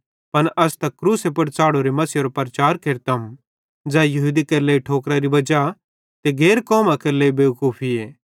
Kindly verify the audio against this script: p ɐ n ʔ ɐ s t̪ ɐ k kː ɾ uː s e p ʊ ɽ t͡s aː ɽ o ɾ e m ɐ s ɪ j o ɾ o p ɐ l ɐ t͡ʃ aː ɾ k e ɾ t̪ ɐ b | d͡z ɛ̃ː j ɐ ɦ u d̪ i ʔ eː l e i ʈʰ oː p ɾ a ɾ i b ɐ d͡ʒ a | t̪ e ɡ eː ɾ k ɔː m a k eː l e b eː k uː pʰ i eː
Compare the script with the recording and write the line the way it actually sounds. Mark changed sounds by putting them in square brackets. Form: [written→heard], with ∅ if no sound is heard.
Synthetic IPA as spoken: p ɐ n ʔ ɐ s t̪ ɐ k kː ɾ uː s e p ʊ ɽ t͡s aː ɽ o ɾ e m ɐ s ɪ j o ɾ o p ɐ [l→ɾ] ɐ t͡ʃ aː ɾ k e ɾ t̪ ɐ [b→m] | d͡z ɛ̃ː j ɐ ɦ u d̪ i [ʔ→k] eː l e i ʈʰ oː [p→k] ɾ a ɾ i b ɐ d͡ʒ a | t̪ e ɡ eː ɾ k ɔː m a k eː l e b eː k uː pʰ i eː

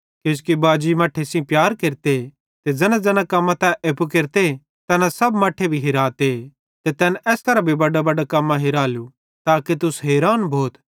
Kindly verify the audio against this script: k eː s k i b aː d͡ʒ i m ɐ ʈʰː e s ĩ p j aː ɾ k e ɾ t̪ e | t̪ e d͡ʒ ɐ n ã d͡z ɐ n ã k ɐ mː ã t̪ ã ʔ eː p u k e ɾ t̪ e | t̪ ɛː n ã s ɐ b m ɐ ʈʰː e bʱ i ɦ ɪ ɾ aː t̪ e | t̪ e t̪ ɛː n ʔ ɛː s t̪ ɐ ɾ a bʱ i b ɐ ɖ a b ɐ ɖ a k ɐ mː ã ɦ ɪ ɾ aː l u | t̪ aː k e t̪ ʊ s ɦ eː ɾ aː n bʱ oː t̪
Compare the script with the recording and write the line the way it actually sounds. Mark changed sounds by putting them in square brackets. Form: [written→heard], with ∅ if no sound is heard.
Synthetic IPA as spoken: k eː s k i b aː d͡ʒ i m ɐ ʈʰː e s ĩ p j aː ɾ k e ɾ t̪ e | t̪ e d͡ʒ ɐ n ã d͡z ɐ n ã k ɐ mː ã t̪ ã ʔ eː p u k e ɾ t̪ e | t̪ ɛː n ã s ɐ b m ɐ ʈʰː e bʱ i ɦ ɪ ɾ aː t̪ e | t̪ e t̪ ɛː n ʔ ɛː s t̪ ɐ ɾ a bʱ i b ɐ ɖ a b ɐ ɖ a k ɐ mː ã ɦ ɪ ɾ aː l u | t̪ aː k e t̪ ʊ s ɦ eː ɾ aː n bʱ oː t̪

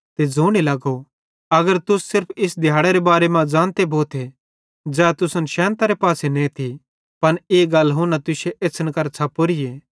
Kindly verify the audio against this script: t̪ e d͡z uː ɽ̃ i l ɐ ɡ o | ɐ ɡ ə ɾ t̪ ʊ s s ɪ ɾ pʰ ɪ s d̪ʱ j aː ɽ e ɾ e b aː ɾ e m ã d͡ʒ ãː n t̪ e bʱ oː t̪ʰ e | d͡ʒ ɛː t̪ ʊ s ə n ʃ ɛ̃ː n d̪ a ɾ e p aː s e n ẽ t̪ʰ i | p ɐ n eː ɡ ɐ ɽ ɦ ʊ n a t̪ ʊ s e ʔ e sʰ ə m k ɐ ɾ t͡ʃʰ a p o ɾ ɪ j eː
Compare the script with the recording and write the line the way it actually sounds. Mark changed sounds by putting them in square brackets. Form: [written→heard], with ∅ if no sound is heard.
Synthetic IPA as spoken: t̪ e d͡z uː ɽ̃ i l ɐ ɡ o | ɐ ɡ ə ɾ t̪ ʊ s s ɪ ɾ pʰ ɪ s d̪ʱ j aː ɽ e ɾ e b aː ɾ e m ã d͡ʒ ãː n t̪ e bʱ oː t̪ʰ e | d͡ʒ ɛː t̪ ʊ s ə n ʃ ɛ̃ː n [d̪→t̪] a ɾ e p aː s e n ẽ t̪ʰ i | p ɐ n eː ɡ ɐ [ɽ→l] ɦ ʊ n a t̪ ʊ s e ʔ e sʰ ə [m→n] k ɐ ɾ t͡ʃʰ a p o ɾ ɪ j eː

